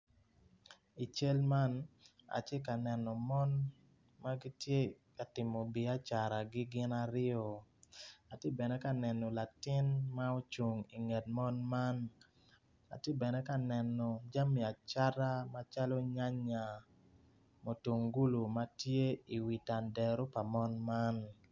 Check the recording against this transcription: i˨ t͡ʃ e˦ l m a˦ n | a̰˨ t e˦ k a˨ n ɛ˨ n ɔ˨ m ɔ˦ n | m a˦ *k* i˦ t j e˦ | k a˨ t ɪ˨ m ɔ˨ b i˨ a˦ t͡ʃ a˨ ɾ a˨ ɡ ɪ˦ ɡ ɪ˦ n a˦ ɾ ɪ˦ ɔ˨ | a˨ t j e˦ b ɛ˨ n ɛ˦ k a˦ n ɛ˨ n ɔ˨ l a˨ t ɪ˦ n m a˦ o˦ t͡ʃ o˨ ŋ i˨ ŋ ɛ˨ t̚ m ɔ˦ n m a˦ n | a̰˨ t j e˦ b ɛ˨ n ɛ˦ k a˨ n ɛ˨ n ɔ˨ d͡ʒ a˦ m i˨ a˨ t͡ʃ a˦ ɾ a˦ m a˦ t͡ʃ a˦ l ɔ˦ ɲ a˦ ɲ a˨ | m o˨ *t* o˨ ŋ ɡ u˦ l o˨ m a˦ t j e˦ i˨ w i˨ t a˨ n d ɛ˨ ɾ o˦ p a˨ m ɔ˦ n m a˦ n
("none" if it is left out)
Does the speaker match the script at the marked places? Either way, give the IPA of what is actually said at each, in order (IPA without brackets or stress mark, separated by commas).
ɡ, t